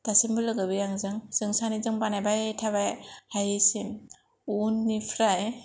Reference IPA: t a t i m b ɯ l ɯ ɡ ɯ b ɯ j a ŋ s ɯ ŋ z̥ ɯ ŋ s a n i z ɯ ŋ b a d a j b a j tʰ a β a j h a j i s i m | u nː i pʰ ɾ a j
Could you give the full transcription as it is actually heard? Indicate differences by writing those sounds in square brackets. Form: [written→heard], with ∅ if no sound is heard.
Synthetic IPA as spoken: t a [t→s] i m b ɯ l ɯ ɡ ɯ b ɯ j a ŋ [s→z] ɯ ŋ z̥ ɯ ŋ s a n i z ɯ ŋ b a [d→n] a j b a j tʰ a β a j h a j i s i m | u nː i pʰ ɾ a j